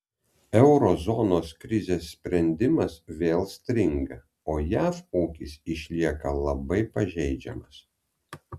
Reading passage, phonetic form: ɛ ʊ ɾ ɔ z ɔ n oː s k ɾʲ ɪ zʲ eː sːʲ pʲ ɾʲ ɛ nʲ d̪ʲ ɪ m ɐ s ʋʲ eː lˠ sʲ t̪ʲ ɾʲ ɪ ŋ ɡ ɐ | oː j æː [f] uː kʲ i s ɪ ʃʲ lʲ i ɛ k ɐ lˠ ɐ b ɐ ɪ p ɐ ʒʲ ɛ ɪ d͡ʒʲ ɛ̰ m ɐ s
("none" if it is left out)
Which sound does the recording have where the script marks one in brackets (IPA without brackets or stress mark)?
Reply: f